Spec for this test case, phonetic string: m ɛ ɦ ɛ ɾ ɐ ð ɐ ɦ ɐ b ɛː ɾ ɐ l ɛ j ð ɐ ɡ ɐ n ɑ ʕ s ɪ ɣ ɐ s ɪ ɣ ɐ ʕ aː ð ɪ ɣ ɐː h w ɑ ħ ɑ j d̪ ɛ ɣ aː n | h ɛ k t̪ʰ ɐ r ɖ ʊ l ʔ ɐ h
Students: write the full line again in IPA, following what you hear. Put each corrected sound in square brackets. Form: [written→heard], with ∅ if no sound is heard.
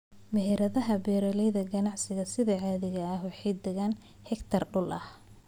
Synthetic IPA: m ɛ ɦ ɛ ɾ ɐ ð ɐ ɦ ɐ b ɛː ɾ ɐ l ɛ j ð ɐ ɡ ɐ n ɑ ʕ s ɪ ɣ ɐ s ɪ [ɣ→ð] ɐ ʕ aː ð ɪ ɣ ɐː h w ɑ ħ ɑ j d̪ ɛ ɣ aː n | h ɛ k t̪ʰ ɐ r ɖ ʊ l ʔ ɐ h